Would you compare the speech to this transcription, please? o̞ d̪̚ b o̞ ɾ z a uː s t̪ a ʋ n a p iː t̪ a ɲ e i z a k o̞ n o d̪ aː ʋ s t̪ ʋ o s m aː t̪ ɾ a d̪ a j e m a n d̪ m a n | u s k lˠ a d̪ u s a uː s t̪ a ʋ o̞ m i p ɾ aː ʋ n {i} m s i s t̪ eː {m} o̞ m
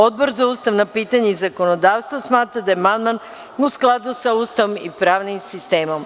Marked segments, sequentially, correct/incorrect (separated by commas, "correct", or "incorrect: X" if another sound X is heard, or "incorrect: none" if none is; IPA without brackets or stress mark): correct, correct